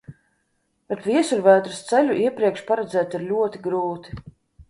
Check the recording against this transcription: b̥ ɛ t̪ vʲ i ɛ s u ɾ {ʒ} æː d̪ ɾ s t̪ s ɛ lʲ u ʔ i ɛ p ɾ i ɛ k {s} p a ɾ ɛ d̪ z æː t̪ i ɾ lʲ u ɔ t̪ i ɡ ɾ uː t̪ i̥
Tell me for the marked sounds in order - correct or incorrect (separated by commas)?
incorrect, incorrect